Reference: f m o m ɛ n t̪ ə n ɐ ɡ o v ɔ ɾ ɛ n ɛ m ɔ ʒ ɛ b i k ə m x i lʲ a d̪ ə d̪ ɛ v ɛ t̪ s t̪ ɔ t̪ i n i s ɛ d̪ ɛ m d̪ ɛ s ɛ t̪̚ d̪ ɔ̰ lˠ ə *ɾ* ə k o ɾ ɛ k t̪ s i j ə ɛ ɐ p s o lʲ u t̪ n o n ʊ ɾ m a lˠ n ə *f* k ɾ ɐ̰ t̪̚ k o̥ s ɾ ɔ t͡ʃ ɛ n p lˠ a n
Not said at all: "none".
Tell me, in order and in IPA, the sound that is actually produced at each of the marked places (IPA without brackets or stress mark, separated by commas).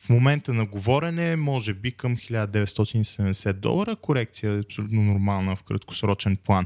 ɾ, f